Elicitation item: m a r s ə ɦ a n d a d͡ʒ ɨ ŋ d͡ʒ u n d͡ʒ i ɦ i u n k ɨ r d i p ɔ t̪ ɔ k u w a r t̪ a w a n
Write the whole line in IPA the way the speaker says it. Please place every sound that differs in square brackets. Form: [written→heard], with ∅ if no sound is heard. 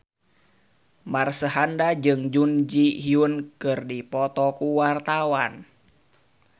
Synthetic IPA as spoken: m a r s ə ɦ a n d a d͡ʒ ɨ ŋ d͡ʒ u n d͡ʒ i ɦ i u n k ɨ r d i p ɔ t̪ ɔ k u w a r t̪ a w a n